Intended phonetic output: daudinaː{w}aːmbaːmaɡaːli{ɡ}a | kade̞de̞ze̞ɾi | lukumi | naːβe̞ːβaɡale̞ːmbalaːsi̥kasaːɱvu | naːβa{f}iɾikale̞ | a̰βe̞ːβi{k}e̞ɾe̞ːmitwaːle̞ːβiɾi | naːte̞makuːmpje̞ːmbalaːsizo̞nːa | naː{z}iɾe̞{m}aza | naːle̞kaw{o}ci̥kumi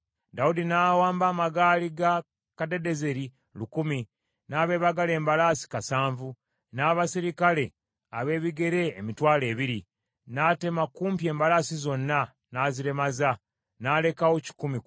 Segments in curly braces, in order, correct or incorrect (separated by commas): correct, correct, incorrect, incorrect, correct, correct, correct